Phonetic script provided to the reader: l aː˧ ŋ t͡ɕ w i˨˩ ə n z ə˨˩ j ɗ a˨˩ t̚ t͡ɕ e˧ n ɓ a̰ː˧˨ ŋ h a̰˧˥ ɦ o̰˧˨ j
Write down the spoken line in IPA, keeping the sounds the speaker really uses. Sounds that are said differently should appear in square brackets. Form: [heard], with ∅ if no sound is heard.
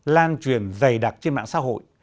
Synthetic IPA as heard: l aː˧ [n] t͡ɕ w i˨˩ ə n z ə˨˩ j ɗ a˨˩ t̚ t͡ɕ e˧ n ɓ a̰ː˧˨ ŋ [s] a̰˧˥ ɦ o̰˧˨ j